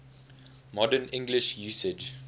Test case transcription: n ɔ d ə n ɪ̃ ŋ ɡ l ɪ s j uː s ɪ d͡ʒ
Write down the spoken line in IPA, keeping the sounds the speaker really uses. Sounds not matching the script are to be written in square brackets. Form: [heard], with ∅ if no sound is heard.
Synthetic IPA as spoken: [m] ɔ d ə n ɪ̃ ŋ ɡ l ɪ [ʃ] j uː s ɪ d͡ʒ